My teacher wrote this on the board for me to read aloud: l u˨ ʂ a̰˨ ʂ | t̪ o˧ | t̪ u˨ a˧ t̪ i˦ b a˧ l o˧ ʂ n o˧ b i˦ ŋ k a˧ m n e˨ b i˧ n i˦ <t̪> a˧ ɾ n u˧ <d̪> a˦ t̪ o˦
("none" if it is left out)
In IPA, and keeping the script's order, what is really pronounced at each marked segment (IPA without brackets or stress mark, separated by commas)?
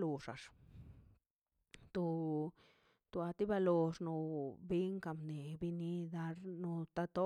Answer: d̪, t̪